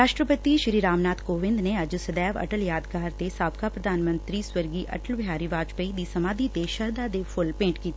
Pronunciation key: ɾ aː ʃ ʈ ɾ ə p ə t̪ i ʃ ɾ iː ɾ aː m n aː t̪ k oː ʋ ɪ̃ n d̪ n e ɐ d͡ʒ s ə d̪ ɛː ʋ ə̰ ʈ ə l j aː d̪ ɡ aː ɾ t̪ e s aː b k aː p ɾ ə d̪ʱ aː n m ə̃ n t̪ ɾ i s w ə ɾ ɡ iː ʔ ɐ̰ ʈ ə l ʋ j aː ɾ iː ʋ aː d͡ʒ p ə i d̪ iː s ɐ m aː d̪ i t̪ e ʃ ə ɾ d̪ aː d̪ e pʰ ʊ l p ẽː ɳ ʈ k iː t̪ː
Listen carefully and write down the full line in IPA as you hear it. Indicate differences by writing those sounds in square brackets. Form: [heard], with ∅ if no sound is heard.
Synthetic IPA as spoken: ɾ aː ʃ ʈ ɾ ə p ə t̪ i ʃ ɾ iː ɾ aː m n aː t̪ k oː ʋ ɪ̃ n d̪ n e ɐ d͡ʒ s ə d̪ ɛː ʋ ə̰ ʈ ə l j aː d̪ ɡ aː ɾ t̪ e s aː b k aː p ɾ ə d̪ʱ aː n m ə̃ n t̪ ɾ i s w ə ɾ ɡ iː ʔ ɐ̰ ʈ ə l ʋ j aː ɾ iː ʋ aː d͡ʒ p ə i d̪ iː s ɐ m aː d̪ i t̪ e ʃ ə ɾ d̪ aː d̪ e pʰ ʊ l p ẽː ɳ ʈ k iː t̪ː